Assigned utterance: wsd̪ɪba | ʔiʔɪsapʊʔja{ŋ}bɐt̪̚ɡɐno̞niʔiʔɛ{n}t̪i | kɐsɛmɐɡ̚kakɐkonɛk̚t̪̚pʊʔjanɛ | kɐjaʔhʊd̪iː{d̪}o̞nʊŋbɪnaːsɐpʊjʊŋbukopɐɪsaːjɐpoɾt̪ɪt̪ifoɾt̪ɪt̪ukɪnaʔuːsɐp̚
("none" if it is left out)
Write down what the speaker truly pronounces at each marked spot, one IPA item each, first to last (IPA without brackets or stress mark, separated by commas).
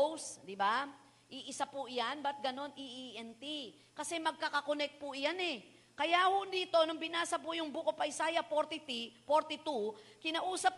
n, n, t̪